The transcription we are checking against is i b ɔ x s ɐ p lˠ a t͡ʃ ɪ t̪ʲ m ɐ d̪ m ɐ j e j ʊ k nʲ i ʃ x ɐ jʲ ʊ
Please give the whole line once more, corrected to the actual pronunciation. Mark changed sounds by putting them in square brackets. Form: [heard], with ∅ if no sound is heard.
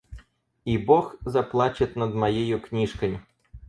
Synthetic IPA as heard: i b ɔ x [z] ɐ p lˠ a t͡ʃ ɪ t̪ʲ [n] ɐ d̪ m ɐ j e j ʊ k nʲ i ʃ [k] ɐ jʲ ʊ